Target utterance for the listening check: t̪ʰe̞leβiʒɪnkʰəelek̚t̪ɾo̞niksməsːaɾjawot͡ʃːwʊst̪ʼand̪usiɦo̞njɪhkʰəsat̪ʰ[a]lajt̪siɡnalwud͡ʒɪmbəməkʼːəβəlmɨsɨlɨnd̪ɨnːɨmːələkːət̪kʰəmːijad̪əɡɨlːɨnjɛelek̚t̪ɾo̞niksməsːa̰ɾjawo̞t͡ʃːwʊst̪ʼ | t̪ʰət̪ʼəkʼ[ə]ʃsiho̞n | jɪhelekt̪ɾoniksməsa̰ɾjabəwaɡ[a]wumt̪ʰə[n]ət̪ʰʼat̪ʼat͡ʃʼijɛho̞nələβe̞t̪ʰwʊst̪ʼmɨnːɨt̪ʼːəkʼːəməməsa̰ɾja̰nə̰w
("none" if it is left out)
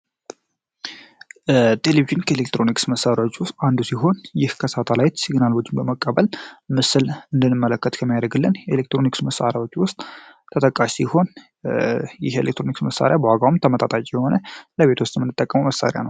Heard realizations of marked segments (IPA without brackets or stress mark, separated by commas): a, a, a, m